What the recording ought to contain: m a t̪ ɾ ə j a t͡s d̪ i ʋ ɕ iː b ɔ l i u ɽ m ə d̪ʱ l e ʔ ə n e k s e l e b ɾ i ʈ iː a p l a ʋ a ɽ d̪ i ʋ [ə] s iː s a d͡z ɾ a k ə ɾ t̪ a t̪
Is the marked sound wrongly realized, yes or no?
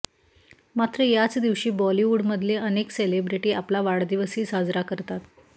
no